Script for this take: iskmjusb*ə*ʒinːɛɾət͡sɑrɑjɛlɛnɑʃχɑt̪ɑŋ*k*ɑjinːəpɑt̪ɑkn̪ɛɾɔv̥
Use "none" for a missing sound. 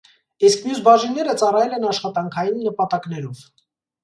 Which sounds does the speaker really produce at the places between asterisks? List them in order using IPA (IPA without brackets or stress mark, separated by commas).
ɑ, kʰ